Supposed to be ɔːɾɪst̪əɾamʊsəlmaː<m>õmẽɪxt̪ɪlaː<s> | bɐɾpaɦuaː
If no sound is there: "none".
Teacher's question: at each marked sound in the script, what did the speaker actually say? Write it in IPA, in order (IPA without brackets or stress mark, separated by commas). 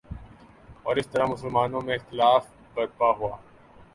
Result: n, f